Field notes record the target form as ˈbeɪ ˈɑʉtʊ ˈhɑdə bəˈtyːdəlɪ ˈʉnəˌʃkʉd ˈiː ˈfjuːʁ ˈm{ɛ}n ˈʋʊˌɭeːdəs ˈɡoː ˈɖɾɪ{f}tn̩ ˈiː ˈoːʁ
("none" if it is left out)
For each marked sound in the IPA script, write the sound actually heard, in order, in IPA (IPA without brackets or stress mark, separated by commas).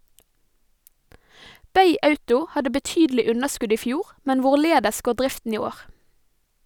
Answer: ɛ, f